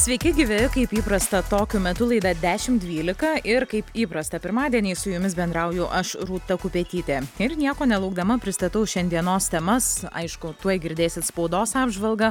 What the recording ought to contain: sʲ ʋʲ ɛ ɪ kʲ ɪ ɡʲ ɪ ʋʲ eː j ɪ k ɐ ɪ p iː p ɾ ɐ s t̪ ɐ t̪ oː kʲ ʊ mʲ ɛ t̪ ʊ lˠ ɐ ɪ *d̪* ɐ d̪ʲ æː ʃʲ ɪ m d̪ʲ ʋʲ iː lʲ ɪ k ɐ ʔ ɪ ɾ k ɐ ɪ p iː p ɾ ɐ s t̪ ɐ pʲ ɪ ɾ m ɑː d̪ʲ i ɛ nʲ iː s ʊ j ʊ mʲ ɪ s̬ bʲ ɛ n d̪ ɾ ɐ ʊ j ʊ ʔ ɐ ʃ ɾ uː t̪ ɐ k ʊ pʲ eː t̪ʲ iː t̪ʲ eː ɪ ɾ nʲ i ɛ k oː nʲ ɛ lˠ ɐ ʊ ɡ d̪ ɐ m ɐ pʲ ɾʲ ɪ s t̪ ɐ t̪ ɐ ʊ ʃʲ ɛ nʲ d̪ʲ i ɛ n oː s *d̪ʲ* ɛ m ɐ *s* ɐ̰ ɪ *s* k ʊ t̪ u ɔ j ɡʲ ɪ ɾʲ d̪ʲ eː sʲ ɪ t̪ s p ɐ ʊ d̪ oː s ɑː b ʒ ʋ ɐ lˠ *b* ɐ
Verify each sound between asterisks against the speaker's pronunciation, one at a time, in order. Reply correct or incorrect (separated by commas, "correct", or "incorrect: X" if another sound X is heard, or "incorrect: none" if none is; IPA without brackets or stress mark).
correct, incorrect: t̪ʲ, correct, incorrect: ʃ, incorrect: ɡ